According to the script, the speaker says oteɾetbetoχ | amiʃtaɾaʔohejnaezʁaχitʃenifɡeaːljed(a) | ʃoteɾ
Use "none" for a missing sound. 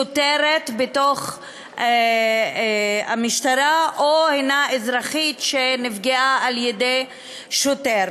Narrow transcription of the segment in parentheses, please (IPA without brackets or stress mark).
e